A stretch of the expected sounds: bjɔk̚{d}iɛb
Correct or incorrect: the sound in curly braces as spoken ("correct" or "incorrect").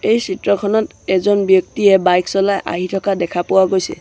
incorrect